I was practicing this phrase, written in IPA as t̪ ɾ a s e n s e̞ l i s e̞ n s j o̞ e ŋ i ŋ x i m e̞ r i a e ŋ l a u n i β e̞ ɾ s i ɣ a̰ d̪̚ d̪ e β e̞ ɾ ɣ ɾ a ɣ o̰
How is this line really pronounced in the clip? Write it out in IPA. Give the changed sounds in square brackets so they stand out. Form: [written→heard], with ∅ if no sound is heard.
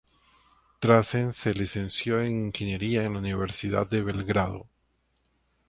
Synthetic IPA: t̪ ɾ a s e n s e̞ l i s e̞ n s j o̞ e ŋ i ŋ x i [m→n] e̞ [r→ɾ] i a e [ŋ→n] l a u n i β e̞ ɾ s i [ɣ→ð] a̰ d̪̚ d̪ e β e̞ [ɾ→l] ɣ ɾ a [ɣ→ð] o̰